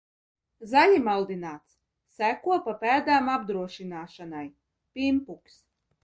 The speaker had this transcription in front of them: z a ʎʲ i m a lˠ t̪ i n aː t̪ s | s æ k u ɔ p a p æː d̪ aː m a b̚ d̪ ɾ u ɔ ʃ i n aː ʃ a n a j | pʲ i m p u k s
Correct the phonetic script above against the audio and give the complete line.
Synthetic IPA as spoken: z a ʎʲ i m a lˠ d̪ i n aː t̪ s | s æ k u ɔ p a p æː d̪ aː m a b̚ d̪ ɾ u ɔ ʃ i n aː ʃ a n a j | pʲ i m p u k s